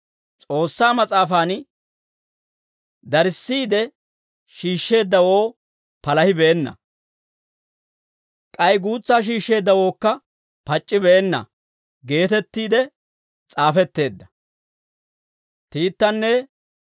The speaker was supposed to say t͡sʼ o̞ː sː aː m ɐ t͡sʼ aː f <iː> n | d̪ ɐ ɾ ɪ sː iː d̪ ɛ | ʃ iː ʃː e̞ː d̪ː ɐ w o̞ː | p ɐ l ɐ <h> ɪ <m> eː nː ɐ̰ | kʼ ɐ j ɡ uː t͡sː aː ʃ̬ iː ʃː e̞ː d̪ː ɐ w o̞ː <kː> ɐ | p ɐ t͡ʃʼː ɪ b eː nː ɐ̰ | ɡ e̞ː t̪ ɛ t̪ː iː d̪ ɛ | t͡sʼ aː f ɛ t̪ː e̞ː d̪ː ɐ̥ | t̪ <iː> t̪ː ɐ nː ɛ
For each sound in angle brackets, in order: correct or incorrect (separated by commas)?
incorrect, correct, incorrect, correct, correct